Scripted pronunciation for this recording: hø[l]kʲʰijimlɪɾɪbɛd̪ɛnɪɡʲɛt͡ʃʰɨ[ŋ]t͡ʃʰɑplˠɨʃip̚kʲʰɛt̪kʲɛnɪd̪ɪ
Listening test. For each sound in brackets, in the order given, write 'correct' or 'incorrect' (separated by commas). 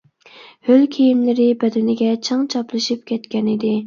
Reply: correct, correct